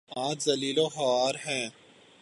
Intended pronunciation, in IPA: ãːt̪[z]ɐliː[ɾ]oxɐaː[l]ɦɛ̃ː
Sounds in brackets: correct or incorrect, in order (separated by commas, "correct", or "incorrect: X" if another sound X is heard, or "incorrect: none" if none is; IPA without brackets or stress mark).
correct, incorrect: l, incorrect: ɾ